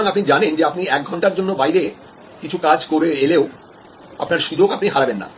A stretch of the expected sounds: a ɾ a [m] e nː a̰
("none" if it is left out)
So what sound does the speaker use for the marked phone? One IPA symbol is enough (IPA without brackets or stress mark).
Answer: b